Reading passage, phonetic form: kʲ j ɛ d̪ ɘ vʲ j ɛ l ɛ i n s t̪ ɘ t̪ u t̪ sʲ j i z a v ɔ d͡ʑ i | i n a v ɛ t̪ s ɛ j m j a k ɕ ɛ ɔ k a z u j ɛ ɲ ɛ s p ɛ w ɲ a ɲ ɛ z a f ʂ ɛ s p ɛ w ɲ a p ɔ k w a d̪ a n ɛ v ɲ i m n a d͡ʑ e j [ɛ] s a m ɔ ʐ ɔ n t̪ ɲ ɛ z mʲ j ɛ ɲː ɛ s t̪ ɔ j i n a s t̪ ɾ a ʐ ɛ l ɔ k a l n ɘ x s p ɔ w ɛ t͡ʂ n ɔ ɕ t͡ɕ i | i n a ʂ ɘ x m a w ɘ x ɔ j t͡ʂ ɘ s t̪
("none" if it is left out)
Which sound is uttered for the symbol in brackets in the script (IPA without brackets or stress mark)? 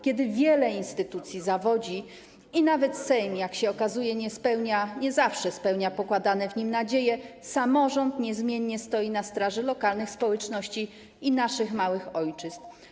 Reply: ɛ